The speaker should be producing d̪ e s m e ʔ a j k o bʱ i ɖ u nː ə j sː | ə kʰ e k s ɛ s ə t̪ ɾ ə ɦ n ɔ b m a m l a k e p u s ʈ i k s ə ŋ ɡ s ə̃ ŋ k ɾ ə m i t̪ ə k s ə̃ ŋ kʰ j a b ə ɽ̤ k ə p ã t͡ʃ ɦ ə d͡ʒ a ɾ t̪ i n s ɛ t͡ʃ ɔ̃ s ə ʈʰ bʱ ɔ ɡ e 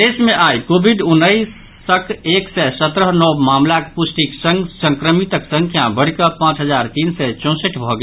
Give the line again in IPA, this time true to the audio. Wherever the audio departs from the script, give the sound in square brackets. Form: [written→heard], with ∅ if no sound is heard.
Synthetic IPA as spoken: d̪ e s m e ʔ a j k o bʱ i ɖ u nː ə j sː | ə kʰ e k s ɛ s ə t̪ ɾ ə ɦ n ɔ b m a m l a k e p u s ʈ i k s ə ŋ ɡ s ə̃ ŋ k ɾ ə m i t̪ ə k s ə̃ ŋ kʰ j a b ə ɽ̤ k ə p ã t͡ʃ ɦ ə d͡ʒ a ɾ t̪ i n s ɛ t͡ʃ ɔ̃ s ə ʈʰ bʱ ɔ ɡ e